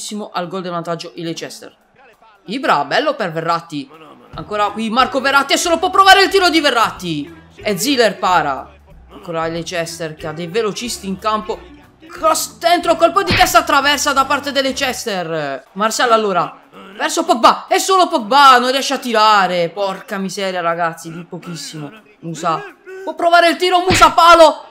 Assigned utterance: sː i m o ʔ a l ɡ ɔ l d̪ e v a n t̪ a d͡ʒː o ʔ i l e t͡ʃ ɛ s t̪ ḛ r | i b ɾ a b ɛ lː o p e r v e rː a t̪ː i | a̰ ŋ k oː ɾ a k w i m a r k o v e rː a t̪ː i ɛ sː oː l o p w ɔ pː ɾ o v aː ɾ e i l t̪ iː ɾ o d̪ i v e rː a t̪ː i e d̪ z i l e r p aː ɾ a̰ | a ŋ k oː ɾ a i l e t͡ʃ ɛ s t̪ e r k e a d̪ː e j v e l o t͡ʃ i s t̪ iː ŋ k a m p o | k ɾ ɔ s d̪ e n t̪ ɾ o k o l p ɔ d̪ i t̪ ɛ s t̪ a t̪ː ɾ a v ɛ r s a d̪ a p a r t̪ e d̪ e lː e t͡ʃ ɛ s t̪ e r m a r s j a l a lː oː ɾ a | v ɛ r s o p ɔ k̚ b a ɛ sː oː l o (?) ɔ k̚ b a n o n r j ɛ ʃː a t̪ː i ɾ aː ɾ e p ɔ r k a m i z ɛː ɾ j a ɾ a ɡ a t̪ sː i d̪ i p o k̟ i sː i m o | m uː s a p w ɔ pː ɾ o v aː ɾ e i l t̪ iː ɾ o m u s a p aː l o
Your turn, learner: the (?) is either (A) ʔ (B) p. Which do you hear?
B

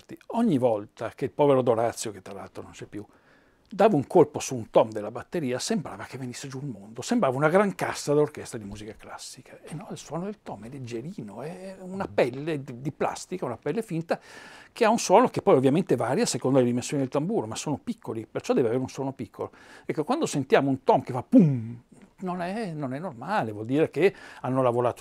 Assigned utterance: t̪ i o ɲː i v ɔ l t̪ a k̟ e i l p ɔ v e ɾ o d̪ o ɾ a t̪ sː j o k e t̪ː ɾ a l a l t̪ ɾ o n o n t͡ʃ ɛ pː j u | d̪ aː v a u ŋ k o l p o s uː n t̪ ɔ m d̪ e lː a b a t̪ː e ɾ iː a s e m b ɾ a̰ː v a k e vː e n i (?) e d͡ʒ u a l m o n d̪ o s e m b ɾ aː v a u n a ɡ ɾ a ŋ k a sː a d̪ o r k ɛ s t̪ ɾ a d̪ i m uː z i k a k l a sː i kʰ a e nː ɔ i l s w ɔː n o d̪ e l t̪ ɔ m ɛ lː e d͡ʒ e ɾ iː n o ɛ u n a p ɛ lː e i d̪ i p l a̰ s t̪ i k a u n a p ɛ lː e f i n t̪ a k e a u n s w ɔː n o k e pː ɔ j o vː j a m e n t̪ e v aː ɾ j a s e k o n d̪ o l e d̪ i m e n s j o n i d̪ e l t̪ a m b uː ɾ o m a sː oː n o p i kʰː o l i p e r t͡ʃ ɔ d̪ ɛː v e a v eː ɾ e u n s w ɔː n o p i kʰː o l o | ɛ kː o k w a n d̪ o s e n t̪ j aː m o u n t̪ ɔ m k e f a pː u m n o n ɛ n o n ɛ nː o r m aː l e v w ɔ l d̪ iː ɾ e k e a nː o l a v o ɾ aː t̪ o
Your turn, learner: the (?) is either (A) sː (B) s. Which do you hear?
A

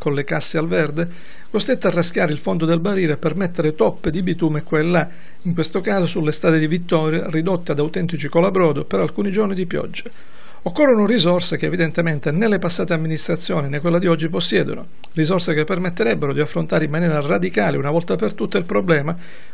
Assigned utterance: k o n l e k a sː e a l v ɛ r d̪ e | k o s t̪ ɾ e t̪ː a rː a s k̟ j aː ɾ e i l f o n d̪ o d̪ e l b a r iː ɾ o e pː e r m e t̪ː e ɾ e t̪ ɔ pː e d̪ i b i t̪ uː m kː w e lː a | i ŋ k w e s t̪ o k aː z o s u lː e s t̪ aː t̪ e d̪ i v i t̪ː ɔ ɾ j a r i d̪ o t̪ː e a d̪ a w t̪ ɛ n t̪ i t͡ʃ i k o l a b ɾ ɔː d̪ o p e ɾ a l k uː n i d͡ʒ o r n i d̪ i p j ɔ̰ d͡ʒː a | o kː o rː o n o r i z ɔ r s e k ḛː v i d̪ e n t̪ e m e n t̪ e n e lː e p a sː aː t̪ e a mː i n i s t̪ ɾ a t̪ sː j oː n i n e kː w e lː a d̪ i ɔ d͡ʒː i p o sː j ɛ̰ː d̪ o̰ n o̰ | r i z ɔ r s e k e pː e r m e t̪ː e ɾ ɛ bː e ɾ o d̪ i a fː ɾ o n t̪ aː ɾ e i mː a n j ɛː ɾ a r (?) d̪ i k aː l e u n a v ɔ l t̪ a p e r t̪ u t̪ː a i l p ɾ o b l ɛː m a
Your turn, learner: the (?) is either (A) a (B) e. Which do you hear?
A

